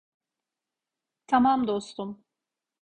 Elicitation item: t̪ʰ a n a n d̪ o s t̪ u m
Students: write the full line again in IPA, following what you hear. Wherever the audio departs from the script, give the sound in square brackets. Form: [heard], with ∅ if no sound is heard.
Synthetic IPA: t̪ʰ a [m] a [m] d̪ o s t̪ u m